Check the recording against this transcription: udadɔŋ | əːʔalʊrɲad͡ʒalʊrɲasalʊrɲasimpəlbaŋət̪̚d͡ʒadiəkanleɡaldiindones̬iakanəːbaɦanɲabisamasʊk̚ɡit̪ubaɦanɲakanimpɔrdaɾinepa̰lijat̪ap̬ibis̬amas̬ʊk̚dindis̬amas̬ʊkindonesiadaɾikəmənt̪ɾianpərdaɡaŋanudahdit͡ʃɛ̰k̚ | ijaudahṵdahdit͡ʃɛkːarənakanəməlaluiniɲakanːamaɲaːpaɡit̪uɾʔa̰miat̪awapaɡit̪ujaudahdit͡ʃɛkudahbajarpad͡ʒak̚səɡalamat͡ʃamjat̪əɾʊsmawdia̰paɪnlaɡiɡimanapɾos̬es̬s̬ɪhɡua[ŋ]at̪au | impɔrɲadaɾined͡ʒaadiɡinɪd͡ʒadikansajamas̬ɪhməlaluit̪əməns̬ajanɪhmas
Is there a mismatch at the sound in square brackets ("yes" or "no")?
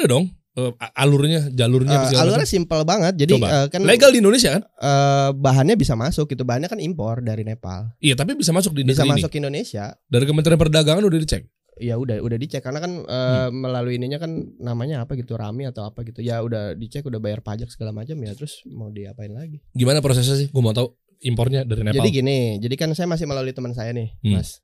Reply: yes